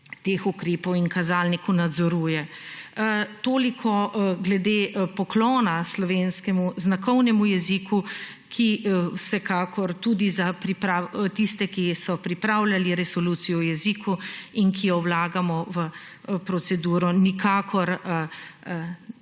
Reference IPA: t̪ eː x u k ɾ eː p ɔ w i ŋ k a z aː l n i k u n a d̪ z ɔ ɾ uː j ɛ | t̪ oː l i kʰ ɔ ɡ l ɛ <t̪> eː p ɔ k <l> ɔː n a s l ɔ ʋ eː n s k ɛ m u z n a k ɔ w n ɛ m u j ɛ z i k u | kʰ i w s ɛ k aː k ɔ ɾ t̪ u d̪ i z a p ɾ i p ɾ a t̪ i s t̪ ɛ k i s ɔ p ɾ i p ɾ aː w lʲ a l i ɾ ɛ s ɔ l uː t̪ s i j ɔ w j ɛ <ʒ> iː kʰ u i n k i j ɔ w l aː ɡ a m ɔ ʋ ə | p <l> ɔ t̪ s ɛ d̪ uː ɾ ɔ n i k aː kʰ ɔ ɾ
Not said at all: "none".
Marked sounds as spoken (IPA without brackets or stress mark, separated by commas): d̪, l, z, ɾ